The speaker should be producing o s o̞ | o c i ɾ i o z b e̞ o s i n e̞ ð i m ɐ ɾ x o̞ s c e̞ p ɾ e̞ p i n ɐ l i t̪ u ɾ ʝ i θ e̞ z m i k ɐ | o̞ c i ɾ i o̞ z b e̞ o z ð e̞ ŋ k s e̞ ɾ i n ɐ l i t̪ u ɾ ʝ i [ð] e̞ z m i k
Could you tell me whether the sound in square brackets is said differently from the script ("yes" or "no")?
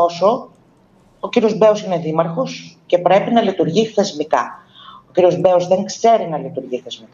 yes